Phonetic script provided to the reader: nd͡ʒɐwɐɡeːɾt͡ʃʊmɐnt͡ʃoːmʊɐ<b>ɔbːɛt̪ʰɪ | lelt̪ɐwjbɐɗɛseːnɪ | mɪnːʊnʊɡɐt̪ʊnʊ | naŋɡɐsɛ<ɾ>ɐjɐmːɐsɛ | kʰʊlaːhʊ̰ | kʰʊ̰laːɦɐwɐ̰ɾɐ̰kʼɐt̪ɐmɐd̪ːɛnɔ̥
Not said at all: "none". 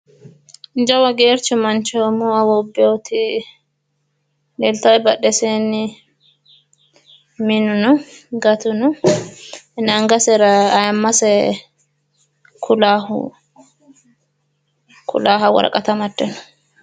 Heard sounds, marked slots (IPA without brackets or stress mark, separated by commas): w, ɾ